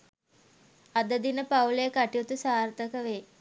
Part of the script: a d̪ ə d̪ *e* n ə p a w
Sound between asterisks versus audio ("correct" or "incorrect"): incorrect